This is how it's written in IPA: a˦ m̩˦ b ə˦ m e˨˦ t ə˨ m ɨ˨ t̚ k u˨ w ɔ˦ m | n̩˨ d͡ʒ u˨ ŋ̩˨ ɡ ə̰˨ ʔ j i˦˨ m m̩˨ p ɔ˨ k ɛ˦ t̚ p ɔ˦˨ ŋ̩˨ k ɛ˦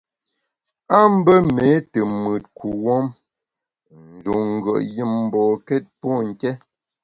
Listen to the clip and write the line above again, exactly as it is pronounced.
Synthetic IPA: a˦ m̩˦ b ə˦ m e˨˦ t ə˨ m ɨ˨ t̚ k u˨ w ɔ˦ m | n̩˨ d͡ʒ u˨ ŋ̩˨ ɡ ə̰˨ ʔ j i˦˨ m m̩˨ b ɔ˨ k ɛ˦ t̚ p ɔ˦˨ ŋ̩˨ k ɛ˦